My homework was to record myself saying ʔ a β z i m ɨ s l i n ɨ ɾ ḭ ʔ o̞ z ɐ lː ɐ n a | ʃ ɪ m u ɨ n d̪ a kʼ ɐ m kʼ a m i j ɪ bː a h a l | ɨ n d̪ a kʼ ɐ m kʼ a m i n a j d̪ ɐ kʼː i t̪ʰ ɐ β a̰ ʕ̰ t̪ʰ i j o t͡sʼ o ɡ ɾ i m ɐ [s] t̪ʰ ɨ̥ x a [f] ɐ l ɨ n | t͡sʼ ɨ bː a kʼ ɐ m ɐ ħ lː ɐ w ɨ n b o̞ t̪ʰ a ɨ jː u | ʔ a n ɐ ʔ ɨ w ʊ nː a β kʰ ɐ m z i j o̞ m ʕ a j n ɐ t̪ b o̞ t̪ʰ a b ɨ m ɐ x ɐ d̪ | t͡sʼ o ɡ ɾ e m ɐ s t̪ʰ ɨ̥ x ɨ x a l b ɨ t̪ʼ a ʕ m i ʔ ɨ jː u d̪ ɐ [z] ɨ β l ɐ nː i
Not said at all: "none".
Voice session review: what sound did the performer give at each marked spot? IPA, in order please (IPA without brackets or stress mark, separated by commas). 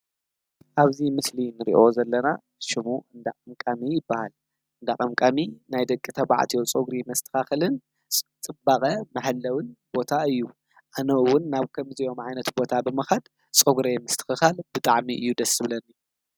s, x, s